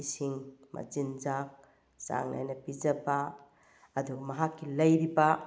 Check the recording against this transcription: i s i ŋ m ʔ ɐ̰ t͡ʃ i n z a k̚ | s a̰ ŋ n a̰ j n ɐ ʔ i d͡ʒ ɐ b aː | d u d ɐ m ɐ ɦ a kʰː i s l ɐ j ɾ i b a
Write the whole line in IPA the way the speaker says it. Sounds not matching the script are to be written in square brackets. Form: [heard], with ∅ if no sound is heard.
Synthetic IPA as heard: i s i ŋ m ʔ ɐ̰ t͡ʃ i n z a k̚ | s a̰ ŋ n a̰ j n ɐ [p] i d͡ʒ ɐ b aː | d u [ɡ] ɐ m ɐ ɦ a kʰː i [∅] l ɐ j ɾ i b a